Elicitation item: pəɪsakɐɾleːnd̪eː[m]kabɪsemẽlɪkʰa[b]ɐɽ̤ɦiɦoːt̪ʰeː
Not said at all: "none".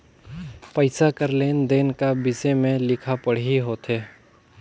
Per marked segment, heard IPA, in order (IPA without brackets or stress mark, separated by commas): n, p